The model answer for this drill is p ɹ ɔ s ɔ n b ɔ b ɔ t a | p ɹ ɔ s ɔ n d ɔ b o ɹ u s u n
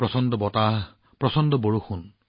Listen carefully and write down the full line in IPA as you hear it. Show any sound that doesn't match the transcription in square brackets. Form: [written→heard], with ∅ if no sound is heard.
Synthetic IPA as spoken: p ɹ ɔ s ɔ n [b→d] ɔ b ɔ t a | p ɹ ɔ s ɔ n d ɔ b o ɹ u [s→x] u n